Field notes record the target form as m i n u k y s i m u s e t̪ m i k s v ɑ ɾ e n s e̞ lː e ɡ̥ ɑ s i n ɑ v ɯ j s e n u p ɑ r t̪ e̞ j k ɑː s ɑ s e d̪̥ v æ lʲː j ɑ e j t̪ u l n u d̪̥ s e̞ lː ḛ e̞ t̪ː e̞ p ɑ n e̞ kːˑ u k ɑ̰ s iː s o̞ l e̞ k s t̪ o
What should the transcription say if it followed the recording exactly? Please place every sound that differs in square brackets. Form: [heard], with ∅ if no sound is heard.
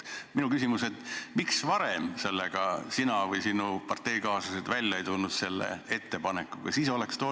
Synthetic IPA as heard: m i n u k y s i m u s e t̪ m i k s v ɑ ɾ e [m] s e̞ lː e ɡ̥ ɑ s i n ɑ v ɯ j s [i] n u p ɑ r t̪ e̞ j k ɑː s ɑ s e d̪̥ v æ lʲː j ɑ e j t̪ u l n u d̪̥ s e̞ lː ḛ e̞ t̪ː e̞ p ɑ n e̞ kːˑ u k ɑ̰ s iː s o̞ l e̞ k s t̪ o